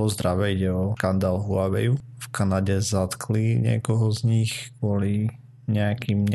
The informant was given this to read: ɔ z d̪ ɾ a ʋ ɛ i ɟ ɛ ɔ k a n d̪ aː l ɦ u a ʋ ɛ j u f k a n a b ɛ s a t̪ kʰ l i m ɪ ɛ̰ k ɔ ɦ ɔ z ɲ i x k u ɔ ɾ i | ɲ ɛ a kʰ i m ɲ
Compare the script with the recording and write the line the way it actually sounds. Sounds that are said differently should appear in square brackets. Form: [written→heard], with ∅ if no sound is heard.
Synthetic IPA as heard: ɔ z d̪ ɾ a ʋ ɛ i ɟ ɛ ɔ k a n d̪ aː l ɦ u a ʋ ɛ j u f k a n a [b→ɟ] ɛ [s→z] a t̪ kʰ l i [m→ɲ] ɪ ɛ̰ k ɔ ɦ ɔ z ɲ i x k [u→ʊ] ɔ [ɾ→l] i | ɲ ɛ a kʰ i m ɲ